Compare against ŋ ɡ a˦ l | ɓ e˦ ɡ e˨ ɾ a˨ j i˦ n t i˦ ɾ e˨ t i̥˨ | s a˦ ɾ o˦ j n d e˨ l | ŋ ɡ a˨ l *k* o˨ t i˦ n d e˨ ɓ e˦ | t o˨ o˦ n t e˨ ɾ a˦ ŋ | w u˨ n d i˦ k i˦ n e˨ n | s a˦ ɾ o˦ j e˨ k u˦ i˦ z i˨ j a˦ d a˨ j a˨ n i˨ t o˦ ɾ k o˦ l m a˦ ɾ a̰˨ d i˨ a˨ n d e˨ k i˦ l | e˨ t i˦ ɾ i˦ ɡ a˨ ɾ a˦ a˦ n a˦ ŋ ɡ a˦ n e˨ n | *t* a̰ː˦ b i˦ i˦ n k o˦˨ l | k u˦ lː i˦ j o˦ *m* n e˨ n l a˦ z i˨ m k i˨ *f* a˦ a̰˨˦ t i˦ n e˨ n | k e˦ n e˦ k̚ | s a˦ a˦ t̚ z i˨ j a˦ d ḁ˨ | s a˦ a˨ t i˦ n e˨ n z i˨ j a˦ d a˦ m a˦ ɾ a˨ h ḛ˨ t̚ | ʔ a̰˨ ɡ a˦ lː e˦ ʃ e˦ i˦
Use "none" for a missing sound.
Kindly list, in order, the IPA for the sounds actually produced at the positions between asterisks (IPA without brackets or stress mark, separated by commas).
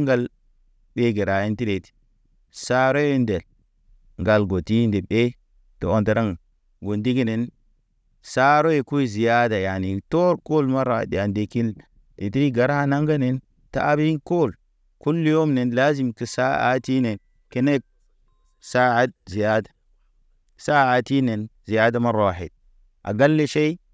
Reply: ɡ, t, m, s